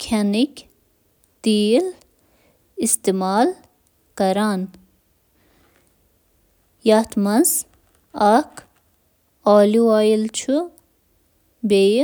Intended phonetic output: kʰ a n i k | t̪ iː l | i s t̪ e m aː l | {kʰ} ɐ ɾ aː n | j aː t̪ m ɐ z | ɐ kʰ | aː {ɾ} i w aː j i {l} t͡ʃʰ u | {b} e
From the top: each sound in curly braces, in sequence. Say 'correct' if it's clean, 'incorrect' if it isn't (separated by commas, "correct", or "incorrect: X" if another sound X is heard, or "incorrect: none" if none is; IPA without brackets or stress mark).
incorrect: k, incorrect: l, correct, correct